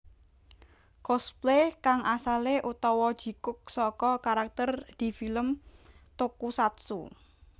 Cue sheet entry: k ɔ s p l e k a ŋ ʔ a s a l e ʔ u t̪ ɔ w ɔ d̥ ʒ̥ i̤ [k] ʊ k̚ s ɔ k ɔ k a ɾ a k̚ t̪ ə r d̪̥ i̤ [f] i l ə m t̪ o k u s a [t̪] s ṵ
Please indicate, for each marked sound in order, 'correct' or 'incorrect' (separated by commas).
correct, correct, correct